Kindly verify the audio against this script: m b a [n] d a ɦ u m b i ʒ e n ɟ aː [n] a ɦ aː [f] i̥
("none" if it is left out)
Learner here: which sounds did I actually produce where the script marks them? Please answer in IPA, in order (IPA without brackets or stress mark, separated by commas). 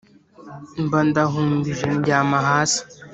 n, m, s